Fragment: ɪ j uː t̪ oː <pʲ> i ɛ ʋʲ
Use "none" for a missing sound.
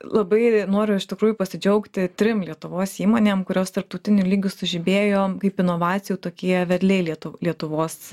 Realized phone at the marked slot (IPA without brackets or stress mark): kʲ